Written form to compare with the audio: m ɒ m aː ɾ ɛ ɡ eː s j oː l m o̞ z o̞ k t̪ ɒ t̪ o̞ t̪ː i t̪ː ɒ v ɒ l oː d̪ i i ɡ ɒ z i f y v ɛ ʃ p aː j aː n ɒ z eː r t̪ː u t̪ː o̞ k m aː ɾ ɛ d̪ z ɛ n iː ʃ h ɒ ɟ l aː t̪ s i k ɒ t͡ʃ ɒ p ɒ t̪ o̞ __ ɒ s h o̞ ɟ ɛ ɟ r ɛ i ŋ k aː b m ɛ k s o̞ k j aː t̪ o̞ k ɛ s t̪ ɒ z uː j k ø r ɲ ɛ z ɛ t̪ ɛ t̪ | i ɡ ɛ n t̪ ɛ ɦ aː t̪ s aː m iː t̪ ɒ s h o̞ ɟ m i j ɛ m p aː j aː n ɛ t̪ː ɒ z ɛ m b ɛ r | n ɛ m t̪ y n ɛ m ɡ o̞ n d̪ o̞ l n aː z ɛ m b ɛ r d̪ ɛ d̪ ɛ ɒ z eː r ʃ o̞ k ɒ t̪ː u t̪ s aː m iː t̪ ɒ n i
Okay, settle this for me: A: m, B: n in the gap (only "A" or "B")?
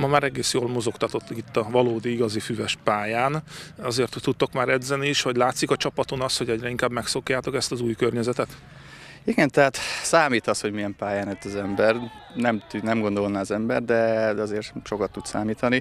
B